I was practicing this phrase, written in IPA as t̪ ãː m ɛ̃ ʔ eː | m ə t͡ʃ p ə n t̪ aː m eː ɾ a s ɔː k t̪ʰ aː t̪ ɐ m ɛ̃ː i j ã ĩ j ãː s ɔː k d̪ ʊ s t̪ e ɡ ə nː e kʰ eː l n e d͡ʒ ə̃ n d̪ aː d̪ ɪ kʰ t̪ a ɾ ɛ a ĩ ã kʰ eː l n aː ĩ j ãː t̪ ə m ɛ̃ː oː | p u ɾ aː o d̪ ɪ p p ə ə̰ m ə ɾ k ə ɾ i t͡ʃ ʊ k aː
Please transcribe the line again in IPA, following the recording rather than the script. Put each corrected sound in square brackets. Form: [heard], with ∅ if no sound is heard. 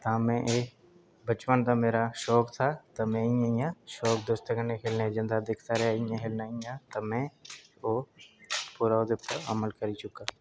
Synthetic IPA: t̪ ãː m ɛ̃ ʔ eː | [b] ə t͡ʃ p ə n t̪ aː m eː ɾ a [ʃ] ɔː k t̪ʰ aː t̪ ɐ m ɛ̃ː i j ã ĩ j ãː [ʃ] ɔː k d̪ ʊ s t̪ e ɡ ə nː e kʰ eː l n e d͡ʒ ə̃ n d̪ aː d̪ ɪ kʰ t̪ a ɾ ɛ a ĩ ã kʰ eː l n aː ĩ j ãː t̪ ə m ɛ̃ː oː | p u ɾ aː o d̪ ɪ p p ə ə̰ m ə [l] k ə ɾ i t͡ʃ ʊ k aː